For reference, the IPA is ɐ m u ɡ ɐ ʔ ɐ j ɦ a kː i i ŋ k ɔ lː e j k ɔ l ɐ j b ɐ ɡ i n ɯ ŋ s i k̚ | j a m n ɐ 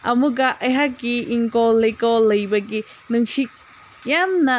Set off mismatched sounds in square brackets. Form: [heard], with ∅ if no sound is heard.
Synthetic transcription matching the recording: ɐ m u ɡ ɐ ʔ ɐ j ɦ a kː i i ŋ k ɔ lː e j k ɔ l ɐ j b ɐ ɡ i n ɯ ŋ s i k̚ | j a m n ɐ